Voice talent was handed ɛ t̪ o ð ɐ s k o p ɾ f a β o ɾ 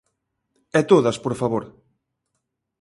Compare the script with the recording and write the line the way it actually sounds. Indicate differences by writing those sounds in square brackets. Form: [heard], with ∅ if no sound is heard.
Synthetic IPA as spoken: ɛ t̪ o ð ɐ s [p] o [∅] ɾ f a β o ɾ